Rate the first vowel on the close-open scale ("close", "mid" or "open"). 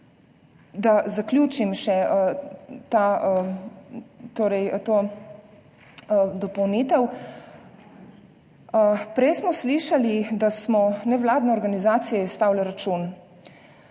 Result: open